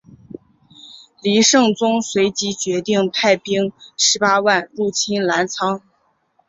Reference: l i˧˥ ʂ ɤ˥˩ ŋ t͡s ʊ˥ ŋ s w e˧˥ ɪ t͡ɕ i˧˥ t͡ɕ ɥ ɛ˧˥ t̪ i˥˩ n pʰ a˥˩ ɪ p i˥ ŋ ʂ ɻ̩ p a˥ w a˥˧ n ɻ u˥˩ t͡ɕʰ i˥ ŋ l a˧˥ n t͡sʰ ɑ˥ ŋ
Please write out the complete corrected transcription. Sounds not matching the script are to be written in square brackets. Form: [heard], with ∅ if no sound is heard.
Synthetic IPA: l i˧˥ ʂ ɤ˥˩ ŋ t͡s ʊ˥ ŋ s w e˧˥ ɪ t͡ɕ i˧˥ t͡ɕ ɥ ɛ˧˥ t̪ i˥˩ [ŋ] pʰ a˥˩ ɪ p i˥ ŋ ʂ ɻ̩ p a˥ w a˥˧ n ɻ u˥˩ t͡ɕʰ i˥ [n] l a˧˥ n t͡sʰ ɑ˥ ŋ